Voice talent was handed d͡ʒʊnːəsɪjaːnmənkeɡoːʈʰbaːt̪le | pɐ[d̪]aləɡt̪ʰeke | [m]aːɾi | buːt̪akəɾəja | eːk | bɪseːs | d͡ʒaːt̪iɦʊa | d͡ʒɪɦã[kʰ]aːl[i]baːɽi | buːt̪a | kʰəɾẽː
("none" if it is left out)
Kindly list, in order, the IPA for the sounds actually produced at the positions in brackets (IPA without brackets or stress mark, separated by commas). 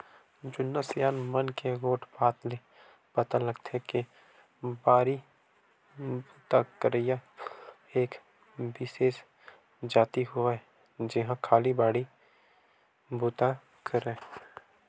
t̪, b, kʰ, i